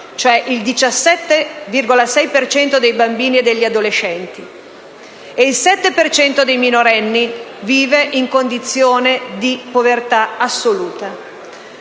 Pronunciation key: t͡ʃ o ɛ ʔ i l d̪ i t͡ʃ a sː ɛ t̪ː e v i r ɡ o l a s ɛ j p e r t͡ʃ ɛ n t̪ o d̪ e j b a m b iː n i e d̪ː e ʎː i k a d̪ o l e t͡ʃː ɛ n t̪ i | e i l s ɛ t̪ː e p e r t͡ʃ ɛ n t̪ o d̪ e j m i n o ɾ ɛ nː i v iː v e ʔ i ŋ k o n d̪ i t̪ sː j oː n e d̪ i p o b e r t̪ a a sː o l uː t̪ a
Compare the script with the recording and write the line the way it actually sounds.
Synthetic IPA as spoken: t͡ʃ o ɛ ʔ i l d̪ i t͡ʃ a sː ɛ t̪ː e v i r ɡ o l a s ɛ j p e r t͡ʃ ɛ n t̪ o d̪ e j b a m b iː n i e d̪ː e ʎː i a d̪ o l e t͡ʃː ɛ n t̪ i | e i l s ɛ t̪ː e p e r t͡ʃ ɛ n t̪ o d̪ e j m i n o ɾ ɛ nː i v iː v e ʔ i ŋ k o n d̪ i t̪ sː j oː n e d̪ i p o v e r t̪ a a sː o l uː t̪ a